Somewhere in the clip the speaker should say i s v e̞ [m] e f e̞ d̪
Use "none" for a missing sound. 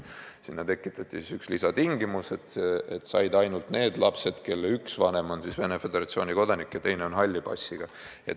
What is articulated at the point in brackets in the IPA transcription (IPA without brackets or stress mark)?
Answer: n